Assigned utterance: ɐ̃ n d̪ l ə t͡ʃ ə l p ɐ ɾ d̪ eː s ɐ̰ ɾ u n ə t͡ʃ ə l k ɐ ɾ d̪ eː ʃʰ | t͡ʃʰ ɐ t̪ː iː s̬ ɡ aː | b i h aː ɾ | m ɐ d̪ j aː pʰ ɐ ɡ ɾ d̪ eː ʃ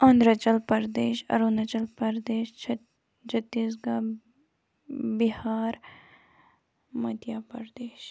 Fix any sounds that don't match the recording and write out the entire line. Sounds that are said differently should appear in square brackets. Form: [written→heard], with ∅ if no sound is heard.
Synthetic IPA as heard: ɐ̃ n d̪ [l→ɾ] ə t͡ʃ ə l p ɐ ɾ d̪ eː [s→ʃ] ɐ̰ ɾ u n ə t͡ʃ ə l [k→p] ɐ ɾ d̪ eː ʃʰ | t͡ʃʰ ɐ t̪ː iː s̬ ɡ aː | b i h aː ɾ | m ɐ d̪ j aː [pʰ→p] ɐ [ɡ→∅] ɾ d̪ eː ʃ

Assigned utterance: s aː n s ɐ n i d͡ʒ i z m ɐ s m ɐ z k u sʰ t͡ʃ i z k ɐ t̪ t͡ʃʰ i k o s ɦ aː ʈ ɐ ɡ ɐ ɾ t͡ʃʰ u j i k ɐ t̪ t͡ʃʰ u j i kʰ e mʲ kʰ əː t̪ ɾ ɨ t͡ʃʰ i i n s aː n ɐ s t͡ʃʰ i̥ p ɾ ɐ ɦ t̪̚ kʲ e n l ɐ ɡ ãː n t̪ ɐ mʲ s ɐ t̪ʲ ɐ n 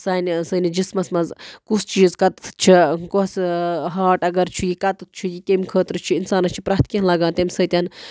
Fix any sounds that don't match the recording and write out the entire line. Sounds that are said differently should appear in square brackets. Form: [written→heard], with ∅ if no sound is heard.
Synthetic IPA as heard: s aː n s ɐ n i d͡ʒ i [z→s] m ɐ s m ɐ z k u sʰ t͡ʃ [i→iː] z k ɐ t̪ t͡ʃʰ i k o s ɦ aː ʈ ɐ ɡ ɐ ɾ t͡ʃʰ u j i k ɐ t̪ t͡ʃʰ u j i [kʰ→k] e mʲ kʰ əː t̪ ɾ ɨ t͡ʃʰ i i n s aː n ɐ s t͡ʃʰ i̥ p ɾ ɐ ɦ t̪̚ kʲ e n l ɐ ɡ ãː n t̪ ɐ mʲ s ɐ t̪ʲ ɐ n

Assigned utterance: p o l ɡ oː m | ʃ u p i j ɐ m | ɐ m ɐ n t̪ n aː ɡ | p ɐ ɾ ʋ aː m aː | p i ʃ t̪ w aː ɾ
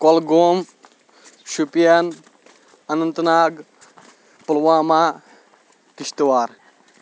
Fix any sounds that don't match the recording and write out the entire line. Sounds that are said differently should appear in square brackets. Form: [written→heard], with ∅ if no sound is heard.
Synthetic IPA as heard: [p→k] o l ɡ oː m | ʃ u p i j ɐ [m→n] | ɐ [m→n] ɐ n t̪ n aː ɡ | p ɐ [ɾ→l] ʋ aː m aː | [p→k] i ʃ t̪ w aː ɾ

